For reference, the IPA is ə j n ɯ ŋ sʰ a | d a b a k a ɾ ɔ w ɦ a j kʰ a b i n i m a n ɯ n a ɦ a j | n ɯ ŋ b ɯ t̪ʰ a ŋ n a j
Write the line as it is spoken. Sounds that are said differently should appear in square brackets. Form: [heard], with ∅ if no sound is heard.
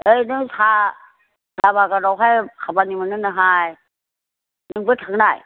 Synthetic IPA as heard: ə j n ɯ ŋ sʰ a | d a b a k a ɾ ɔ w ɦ a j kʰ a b [a] n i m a n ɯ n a ɦ a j | n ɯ ŋ b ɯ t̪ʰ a ŋ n a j